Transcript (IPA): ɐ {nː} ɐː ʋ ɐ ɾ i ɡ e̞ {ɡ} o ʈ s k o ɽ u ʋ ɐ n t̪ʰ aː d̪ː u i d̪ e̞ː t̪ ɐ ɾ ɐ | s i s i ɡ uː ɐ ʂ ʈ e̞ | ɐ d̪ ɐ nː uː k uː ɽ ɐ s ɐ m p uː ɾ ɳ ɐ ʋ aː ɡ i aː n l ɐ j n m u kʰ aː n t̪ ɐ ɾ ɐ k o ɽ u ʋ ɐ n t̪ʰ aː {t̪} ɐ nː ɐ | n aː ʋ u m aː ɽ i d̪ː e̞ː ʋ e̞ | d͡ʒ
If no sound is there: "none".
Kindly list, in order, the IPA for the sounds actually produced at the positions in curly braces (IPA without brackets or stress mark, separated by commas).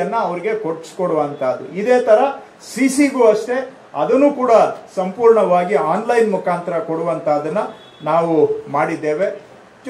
nː, k, d̪